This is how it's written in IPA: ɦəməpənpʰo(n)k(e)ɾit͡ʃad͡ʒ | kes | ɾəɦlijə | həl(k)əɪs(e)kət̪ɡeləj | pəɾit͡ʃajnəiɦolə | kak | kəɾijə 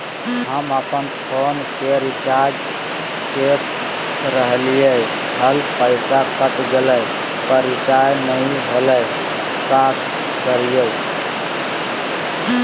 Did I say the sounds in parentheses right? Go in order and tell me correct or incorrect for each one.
correct, correct, incorrect: p, incorrect: a

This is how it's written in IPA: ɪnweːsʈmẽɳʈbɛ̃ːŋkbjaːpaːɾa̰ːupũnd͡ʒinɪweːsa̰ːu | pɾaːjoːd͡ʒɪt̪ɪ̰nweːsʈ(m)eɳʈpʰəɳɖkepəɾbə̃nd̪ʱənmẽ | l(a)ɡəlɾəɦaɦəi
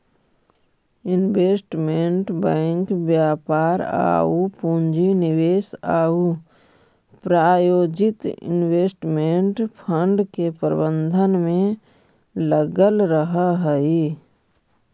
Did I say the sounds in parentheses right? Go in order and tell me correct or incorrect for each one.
correct, incorrect: ə

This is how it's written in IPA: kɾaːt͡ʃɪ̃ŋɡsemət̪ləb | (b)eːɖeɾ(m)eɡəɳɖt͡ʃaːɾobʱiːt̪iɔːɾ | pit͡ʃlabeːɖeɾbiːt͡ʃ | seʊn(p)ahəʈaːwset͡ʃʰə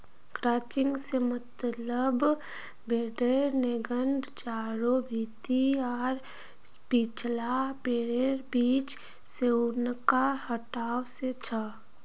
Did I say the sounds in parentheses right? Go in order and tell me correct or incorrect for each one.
correct, incorrect: n, incorrect: k

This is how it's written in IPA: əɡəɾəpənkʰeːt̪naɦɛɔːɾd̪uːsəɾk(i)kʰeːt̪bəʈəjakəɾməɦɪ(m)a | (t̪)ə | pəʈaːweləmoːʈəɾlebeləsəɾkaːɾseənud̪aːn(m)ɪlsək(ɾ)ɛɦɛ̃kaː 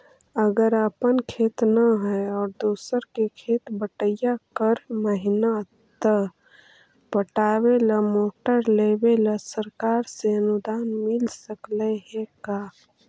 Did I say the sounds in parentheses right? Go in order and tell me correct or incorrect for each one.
incorrect: e, incorrect: n, correct, correct, incorrect: l

